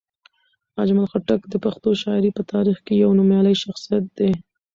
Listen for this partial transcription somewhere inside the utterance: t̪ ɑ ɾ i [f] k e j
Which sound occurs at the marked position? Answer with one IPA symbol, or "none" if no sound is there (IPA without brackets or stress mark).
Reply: x